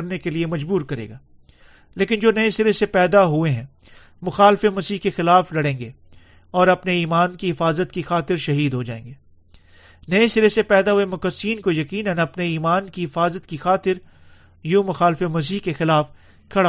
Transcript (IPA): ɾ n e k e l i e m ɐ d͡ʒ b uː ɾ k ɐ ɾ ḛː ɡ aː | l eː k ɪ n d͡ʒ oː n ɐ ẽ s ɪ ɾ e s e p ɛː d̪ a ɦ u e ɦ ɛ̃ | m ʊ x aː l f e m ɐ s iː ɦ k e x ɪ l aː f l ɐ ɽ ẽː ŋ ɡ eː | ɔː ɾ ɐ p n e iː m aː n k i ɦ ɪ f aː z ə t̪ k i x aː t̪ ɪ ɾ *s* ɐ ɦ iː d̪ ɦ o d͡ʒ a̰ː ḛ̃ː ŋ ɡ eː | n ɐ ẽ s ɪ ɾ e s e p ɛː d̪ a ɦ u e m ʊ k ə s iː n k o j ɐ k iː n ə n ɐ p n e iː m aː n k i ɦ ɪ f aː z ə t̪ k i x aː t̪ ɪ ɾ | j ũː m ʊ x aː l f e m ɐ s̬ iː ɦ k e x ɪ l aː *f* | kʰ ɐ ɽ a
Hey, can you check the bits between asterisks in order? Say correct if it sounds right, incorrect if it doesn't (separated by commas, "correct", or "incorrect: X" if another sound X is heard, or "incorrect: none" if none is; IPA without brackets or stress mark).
incorrect: ʃ, correct